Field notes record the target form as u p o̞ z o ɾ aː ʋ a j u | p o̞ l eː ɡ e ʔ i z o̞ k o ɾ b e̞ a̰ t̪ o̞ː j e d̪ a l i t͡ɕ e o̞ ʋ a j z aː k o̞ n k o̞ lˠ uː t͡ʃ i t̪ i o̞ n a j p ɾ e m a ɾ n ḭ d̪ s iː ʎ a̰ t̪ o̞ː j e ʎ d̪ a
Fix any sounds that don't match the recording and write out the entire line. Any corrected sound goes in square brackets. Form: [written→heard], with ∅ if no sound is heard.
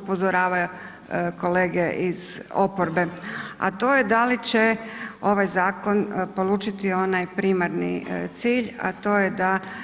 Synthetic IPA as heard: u p o̞ z o ɾ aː ʋ a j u | [p→k] o̞ l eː ɡ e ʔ i z o̞ [k→p] o ɾ b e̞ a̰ t̪ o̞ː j e d̪ a l i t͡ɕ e o̞ ʋ a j z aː k o̞ n [k→p] o̞ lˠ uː t͡ʃ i t̪ i o̞ n a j p ɾ [e→i] m a ɾ n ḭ [d̪→t̪] s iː ʎ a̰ t̪ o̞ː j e [ʎ→∅] d̪ a